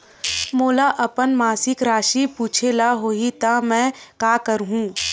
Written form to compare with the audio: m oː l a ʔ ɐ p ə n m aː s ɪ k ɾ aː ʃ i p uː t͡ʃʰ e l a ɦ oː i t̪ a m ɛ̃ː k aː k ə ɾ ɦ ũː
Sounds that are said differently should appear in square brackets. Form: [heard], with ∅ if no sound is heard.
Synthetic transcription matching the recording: m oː l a ʔ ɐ p ə n m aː s ɪ k ɾ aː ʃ i p uː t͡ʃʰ e l a ɦ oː i t̪ a m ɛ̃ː k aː k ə ɾ ɦ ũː